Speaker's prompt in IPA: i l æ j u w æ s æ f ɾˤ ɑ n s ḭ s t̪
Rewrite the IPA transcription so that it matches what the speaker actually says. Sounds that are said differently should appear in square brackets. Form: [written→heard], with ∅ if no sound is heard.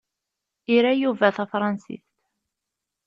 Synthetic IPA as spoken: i [l→ɾ] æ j u [w→v] æ [s→θ] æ f ɾˤ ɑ n s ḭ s t̪